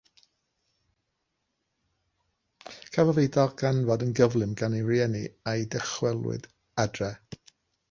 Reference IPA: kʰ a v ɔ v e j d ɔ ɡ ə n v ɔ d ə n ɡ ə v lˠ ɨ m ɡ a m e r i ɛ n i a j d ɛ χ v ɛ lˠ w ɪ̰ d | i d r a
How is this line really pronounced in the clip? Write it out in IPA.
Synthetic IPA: kʰ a v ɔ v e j d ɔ ɡ a n v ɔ d ə n ɡ ə v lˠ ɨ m ɡ a n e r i ɛ n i a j d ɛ χ w ɛ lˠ w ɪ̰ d | a d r ɛ